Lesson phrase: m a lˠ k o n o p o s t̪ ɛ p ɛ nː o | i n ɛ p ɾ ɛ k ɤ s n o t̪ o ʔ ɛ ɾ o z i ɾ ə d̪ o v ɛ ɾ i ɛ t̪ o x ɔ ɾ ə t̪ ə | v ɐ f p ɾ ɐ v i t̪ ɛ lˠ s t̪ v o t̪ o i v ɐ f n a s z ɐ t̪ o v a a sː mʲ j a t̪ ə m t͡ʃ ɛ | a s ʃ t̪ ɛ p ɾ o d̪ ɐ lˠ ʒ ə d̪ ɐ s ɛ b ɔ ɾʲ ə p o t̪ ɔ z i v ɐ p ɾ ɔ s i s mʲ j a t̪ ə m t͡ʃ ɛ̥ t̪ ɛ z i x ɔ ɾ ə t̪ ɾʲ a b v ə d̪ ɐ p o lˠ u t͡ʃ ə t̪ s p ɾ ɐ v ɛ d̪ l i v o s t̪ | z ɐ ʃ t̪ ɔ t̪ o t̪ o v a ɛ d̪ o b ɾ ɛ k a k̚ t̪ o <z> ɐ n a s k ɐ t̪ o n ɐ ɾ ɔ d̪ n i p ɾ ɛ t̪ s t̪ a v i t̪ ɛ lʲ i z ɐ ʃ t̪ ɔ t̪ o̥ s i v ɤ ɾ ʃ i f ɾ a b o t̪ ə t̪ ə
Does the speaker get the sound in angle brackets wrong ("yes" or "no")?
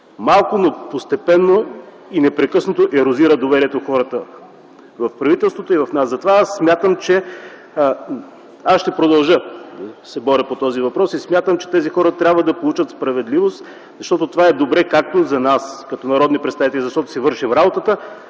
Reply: no